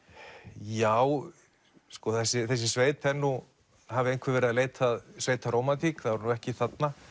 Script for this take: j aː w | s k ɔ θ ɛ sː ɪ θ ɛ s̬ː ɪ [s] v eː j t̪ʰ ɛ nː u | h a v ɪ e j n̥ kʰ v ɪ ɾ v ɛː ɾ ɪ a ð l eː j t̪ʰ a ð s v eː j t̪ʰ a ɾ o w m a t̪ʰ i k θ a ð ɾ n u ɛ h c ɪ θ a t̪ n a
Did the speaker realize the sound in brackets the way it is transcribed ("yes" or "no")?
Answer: yes